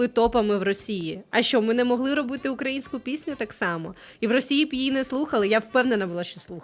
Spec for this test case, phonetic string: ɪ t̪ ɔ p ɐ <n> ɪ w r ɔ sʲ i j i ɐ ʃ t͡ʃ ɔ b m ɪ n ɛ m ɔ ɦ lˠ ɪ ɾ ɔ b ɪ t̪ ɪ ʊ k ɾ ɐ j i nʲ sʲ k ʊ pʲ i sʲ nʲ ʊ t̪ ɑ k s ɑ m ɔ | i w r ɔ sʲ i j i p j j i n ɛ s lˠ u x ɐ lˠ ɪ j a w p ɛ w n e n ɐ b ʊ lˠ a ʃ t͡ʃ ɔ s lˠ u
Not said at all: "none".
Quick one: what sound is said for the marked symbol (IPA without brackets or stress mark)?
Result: m